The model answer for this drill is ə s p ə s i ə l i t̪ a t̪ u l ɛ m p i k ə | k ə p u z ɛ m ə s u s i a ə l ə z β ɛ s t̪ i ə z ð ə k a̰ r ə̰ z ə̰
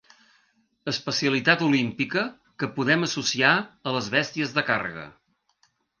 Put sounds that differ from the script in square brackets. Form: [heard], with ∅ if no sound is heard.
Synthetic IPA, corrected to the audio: ə s p ə s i ə l i t̪ a t̪ u l [i] m p i k ə | k ə p u [ð] ɛ m ə s u s i a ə l ə z β ɛ s t̪ i ə z ð ə k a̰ r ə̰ [ɣ] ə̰